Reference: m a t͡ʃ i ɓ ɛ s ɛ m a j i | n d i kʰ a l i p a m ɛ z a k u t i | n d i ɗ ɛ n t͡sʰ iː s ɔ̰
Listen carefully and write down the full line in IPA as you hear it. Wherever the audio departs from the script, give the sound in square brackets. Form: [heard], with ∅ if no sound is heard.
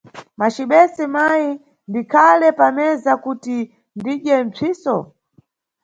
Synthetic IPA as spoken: m a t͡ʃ i ɓ ɛ s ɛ m a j i | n d i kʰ a l [ɛ] p a m ɛ z a k u t i | n d i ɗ ɛ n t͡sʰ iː s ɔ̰